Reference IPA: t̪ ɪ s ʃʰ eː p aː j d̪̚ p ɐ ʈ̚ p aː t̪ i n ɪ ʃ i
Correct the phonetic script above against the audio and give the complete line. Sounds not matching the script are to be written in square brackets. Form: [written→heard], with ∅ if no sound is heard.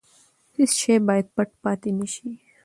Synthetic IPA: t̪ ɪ s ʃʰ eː [p→b] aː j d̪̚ p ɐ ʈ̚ p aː t̪ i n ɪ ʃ i